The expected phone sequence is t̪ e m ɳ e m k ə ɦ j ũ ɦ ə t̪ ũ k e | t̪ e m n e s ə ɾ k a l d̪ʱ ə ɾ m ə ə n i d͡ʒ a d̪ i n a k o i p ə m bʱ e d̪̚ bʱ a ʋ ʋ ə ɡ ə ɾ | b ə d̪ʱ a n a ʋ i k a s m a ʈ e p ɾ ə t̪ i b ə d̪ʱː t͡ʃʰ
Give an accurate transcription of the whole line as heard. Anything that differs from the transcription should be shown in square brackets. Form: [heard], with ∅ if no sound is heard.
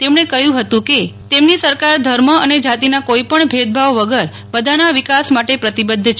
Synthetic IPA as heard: t̪ e m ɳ e [∅] k ə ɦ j ũ ɦ ə t̪ ũ k e | t̪ e m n [i] s ə ɾ k a [ɾ] d̪ʱ ə ɾ m ə ə n [e] d͡ʒ a [t̪] i n a k o i p ə [ɳ] bʱ e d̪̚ bʱ a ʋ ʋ ə ɡ ə ɾ | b ə d̪ʱ a n a ʋ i k a s m a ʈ e p ɾ ə t̪ i b ə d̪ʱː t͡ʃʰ